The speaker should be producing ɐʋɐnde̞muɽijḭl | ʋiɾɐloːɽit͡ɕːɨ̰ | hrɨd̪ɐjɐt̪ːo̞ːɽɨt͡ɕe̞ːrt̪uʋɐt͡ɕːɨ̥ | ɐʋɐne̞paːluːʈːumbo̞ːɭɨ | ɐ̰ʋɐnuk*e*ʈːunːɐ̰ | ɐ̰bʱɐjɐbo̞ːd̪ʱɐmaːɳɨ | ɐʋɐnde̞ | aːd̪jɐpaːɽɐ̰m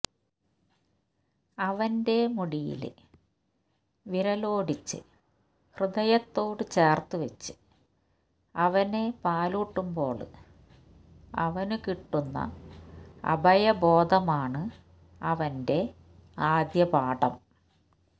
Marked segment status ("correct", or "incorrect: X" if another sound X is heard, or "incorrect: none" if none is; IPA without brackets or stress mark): incorrect: i